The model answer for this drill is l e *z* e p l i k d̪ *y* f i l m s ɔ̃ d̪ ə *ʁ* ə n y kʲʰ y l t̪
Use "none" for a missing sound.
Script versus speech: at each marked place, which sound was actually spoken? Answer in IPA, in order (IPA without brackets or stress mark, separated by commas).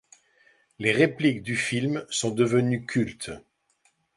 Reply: ʁ, y, v